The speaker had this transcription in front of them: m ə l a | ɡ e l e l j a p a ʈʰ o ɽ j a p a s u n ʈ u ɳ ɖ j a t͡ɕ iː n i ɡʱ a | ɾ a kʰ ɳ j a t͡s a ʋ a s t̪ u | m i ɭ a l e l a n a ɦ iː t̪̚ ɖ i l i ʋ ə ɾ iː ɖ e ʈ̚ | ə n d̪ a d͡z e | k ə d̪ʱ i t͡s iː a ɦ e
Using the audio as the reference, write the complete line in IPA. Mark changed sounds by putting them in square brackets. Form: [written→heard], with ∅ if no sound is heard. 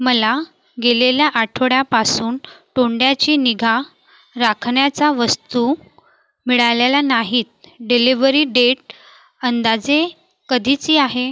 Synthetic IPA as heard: m ə l a | ɡ e l e l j a [p→ʔ] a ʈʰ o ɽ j a p a s [u→uː] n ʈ [u→o] ɳ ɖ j a t͡ɕ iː n i ɡʱ a | ɾ a kʰ ɳ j a t͡s a ʋ [a→ə] s t̪ u | m i ɭ a l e l a n a ɦ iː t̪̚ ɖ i l i ʋ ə ɾ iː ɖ e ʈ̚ | ə n d̪ a d͡z e | k ə d̪ʱ i t͡s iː a ɦ e